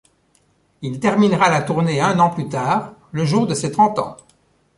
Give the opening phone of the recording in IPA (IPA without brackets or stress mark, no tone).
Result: i